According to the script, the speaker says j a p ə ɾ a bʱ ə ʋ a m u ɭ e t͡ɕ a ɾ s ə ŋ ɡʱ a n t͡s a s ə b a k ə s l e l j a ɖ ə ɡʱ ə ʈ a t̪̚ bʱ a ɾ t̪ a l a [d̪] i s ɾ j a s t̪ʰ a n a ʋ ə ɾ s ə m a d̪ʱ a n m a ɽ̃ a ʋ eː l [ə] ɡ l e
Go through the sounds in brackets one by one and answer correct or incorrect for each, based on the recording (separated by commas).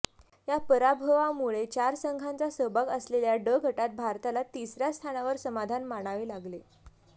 incorrect, incorrect